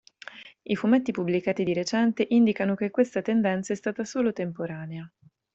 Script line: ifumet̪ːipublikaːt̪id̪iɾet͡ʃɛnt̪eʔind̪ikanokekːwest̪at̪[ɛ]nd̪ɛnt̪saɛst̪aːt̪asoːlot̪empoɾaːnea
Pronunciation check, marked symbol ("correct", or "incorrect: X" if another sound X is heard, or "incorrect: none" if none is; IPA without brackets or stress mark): incorrect: e